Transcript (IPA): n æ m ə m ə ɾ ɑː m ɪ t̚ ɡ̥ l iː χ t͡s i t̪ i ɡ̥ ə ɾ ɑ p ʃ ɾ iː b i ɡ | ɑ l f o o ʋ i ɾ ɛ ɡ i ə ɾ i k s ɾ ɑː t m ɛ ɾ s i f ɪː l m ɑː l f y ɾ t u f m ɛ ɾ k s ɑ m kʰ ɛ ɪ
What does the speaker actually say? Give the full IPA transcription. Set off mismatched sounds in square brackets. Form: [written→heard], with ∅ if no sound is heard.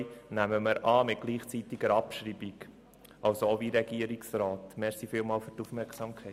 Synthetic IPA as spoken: n æ m ə m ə ɾ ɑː m ɪ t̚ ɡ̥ l iː χ t͡s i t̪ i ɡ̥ ə ɾ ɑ p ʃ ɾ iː b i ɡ | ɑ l [f→s] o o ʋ i ɾ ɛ ɡ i ə ɾ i k s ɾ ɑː t m ɛ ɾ s i f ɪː l m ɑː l f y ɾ t u f m ɛ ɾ k s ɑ m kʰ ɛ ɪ

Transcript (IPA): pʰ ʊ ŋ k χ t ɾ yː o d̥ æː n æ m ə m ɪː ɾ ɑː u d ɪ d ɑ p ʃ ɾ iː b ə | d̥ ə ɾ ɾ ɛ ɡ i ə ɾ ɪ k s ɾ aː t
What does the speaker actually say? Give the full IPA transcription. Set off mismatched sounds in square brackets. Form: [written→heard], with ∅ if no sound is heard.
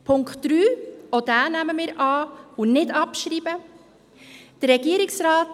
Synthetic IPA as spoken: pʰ ʊ ŋ k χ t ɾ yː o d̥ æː n æ m ə m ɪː ɾ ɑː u [d→n] ɪ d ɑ p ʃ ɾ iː b ə | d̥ ə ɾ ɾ ɛ ɡ i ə ɾ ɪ k s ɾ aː t

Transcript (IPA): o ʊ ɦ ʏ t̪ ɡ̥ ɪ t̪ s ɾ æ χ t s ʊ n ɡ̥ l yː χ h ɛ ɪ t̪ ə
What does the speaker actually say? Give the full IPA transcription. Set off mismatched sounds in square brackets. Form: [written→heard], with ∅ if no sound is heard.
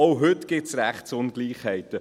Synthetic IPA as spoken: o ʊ ɦ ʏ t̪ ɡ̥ ɪ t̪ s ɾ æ χ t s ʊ n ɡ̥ l [yː→iː] χ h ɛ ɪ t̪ ə

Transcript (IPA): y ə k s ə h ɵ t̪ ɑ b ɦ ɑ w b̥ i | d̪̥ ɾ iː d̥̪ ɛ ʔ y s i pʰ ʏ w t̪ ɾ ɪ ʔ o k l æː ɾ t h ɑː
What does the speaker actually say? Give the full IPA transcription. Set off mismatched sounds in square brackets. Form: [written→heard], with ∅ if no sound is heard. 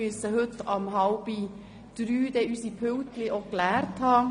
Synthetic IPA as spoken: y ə [k→∅] s ə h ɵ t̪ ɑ [b→m] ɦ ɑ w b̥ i | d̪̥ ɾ [iː→yː] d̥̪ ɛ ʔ y s i pʰ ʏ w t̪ [ɾ→l] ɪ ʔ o k l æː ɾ t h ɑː

